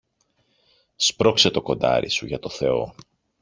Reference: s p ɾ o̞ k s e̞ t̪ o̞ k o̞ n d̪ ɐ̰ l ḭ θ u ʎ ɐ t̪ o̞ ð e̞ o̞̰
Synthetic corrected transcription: s p ɾ o̞ k s e̞ t̪ o̞ k o̞ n d̪ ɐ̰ ɾ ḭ s u ʝ ɐ t̪ o̞ θ e̞ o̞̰